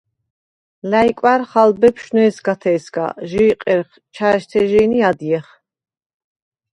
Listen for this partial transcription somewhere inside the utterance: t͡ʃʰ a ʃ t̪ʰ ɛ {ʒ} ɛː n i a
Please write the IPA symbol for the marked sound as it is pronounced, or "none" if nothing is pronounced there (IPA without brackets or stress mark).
ʒ